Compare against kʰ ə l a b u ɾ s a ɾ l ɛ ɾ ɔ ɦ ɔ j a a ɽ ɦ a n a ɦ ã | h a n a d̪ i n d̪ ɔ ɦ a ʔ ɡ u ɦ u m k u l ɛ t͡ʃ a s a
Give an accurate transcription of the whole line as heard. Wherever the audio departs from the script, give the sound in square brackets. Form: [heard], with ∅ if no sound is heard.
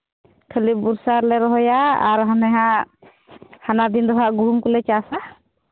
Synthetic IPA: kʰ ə l [i] b u ɾ s a ɾ l ɛ ɾ ɔ ɦ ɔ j a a [ɾ] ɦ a n [ɛ] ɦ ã | h a n a d̪ i n d̪ ɔ ɦ a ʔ ɡ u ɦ u m k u l ɛ t͡ʃ a s a